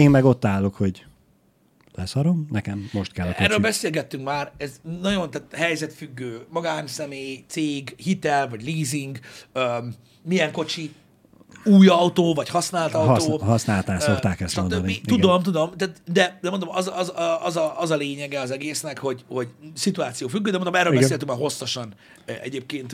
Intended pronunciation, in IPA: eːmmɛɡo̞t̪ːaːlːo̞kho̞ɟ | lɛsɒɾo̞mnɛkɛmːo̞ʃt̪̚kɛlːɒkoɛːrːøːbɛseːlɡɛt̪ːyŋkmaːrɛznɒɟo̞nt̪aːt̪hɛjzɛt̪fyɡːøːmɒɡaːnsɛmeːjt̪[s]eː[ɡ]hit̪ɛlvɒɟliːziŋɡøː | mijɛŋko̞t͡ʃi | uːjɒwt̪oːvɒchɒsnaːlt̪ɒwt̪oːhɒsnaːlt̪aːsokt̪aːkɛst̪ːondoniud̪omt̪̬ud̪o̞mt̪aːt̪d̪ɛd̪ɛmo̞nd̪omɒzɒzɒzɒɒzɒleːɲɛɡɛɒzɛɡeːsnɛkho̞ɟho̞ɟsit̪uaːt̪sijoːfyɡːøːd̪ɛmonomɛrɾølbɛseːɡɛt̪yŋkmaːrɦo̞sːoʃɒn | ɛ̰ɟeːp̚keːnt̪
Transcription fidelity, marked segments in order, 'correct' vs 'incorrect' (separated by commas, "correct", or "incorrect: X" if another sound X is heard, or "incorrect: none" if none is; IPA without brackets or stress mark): correct, correct